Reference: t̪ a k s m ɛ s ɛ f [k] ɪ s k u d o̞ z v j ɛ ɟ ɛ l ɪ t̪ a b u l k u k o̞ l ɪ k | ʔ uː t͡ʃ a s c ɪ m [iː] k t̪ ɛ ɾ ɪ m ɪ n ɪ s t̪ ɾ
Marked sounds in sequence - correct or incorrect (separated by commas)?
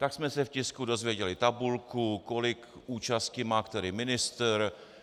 incorrect, incorrect